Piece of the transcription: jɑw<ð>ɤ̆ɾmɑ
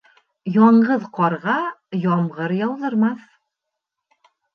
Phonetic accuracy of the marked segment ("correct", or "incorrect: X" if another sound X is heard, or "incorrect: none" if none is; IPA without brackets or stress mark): correct